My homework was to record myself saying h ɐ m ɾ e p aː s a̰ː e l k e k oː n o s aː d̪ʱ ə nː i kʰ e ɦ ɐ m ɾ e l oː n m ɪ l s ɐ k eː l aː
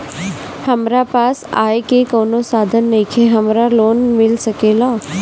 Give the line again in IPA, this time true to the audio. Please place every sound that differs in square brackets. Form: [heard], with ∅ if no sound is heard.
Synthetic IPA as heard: h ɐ m ɾ [a] p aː s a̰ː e [∅] k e k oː n o s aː d̪ʱ ə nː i kʰ e ɦ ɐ m ɾ [a] l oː n m ɪ l s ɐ k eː l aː